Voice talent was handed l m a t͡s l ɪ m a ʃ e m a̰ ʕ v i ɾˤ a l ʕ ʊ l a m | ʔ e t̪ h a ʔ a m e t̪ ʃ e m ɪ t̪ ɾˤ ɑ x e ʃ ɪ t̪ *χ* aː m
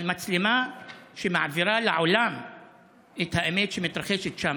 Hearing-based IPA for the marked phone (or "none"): ʃ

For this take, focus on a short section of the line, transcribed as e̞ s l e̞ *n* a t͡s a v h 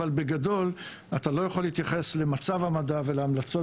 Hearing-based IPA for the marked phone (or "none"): m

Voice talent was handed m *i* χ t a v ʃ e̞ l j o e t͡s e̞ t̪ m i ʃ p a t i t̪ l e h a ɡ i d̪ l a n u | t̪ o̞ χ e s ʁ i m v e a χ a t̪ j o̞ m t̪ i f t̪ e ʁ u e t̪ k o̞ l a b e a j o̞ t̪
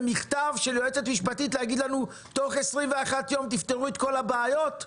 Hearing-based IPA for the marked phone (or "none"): i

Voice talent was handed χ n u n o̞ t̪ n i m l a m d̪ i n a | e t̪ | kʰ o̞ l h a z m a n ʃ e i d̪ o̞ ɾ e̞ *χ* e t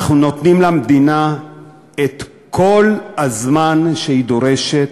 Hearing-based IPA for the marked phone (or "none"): ʃ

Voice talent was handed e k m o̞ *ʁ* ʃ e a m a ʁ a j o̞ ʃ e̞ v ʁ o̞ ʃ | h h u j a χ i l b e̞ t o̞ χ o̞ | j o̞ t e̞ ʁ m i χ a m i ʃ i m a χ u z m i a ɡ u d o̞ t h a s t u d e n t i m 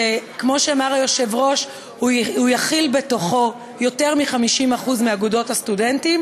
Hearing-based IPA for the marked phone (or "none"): none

